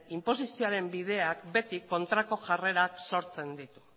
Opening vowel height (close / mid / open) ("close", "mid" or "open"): close